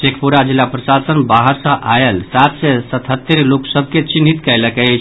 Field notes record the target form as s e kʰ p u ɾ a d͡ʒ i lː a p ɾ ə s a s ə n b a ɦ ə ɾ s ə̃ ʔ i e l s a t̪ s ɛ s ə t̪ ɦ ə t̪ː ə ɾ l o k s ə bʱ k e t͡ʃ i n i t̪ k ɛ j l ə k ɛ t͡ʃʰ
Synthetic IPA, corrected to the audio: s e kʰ p u ɾ a d͡ʒ i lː a p ɾ ə s a s ə n b a ɦ ə ɾ s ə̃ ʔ a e l s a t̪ s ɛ s ə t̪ ɦ ə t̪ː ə ɾ l o k s ə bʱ k e t͡ʃ i n i t̪ k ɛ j l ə k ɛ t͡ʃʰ